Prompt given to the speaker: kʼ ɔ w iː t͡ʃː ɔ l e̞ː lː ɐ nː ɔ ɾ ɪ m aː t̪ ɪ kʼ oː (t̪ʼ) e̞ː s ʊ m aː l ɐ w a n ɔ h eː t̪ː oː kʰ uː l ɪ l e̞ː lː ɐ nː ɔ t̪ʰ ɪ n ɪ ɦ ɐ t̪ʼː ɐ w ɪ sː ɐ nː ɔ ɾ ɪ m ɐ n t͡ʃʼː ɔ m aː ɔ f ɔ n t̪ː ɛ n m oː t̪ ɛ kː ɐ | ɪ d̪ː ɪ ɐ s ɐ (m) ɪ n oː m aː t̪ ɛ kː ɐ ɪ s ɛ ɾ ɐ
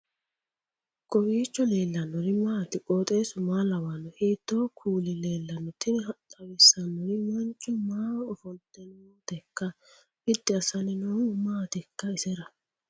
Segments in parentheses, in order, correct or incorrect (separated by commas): correct, incorrect